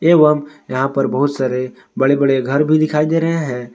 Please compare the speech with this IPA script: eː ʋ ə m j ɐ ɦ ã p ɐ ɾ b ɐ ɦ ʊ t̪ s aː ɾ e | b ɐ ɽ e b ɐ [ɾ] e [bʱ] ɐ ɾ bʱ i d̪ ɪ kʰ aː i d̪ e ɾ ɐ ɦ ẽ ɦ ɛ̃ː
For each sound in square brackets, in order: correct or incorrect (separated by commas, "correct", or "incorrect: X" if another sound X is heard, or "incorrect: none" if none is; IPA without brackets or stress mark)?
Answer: incorrect: ɽ, incorrect: ɡʱ